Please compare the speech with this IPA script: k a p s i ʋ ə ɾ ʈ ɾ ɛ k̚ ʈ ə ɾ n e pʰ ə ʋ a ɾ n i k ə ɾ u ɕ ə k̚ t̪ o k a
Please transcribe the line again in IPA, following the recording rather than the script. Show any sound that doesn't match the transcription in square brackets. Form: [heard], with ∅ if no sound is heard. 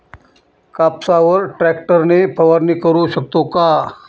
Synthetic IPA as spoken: k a p s [a] ʋ ə ɾ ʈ ɾ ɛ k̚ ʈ ə ɾ n e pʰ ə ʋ a ɾ n i k ə ɾ u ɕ ə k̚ t̪ o k a